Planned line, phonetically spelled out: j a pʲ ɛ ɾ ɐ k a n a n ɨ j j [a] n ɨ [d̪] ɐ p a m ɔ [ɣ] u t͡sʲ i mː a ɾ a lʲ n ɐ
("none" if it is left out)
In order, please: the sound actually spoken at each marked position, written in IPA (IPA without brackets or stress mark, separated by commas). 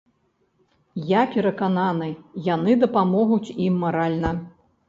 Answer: a, d̪, ɣ